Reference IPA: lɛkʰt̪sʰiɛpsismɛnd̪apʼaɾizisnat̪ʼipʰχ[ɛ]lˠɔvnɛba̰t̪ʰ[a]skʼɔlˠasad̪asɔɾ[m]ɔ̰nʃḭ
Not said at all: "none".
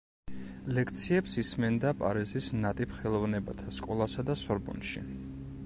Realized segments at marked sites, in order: ɛ, a, b

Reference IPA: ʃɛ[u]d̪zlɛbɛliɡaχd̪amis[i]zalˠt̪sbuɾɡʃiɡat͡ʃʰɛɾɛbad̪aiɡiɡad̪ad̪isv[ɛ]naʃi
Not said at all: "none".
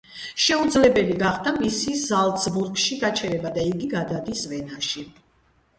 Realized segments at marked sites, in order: u, i, ɛ

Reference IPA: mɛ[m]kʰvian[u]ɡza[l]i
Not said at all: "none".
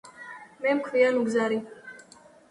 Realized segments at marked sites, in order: m, u, ɾ

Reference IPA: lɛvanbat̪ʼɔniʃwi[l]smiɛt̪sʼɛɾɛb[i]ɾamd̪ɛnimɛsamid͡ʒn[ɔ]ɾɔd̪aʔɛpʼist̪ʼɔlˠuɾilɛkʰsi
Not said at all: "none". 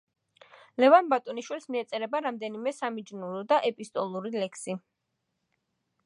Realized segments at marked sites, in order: l, a, u

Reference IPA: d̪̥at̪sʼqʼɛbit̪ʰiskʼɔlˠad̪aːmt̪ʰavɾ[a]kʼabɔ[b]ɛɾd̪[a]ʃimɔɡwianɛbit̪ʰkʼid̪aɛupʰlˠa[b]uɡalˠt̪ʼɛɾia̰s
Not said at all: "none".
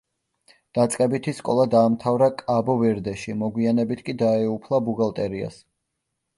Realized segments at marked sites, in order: a, v, ɛ, b

